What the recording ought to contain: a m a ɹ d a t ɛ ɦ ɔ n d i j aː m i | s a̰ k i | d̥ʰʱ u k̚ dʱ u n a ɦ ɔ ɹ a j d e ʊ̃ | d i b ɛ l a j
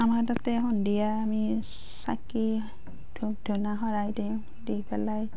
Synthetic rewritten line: a m a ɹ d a t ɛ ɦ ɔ n d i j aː m i | s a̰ k i | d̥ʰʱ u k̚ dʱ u n a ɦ ɔ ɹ a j d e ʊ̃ | d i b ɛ l a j